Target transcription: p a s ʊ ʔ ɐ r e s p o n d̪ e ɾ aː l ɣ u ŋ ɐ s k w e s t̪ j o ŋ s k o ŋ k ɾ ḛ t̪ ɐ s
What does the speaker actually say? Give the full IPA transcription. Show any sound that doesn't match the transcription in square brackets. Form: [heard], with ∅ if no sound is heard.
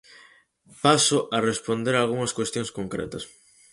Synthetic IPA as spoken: p a s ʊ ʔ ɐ r e s p o n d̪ e ɾ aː l ɣ u ŋ ɐ s k w e s t̪ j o ŋ s k o ŋ k ɾ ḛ t̪ ɐ s